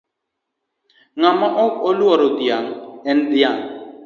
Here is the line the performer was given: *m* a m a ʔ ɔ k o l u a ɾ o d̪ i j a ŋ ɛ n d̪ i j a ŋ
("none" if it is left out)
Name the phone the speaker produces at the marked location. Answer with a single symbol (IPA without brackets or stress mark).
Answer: ŋ